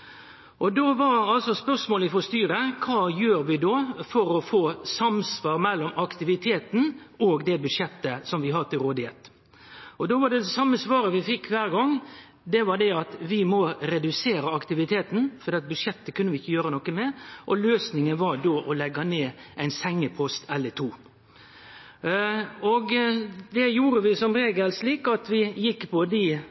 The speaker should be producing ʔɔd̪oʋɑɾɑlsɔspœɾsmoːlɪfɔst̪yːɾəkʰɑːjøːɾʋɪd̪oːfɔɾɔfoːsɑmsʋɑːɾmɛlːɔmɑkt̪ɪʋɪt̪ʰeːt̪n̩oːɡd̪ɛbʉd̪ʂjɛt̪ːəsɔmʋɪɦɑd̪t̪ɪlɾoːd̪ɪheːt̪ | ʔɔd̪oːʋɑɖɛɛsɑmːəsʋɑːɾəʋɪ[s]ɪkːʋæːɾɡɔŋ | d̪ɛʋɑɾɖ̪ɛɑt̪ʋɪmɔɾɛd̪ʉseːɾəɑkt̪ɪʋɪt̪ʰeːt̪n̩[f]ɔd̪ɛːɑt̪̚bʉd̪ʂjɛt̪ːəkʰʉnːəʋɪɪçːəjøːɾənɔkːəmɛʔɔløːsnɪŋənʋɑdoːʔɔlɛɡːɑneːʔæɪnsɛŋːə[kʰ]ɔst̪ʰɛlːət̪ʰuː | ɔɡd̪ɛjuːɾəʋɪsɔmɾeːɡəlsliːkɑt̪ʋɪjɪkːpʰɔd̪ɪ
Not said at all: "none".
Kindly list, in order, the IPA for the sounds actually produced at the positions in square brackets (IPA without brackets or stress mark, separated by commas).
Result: f, f, pʰ